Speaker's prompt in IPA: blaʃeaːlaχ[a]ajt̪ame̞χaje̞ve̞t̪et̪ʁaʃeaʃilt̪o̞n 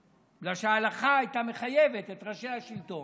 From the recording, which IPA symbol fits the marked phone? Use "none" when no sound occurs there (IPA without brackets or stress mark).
a